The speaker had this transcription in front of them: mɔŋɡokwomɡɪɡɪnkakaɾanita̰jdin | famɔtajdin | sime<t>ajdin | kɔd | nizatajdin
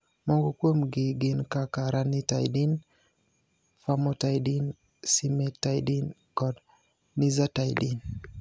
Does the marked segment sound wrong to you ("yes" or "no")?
no